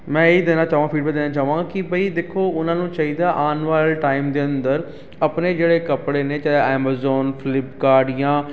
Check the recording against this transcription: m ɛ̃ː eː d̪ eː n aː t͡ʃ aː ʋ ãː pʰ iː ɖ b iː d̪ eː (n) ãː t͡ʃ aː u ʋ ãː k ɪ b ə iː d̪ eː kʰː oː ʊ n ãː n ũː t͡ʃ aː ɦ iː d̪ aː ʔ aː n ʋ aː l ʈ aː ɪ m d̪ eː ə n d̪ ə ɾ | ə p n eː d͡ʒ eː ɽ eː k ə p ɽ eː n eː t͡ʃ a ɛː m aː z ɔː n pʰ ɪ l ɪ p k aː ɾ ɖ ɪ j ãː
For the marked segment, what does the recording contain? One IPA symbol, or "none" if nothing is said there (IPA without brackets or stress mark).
n